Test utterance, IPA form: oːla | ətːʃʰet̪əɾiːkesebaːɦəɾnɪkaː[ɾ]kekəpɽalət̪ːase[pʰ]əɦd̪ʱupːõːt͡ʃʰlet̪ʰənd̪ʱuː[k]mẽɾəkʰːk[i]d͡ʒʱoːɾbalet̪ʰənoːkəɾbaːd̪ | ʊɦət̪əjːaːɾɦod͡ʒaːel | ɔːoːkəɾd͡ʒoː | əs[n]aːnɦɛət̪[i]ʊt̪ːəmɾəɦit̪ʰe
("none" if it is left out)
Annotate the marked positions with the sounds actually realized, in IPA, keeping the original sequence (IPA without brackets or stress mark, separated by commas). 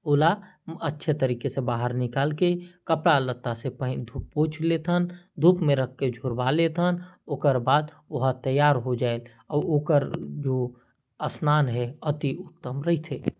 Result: l, p, p, e, n, i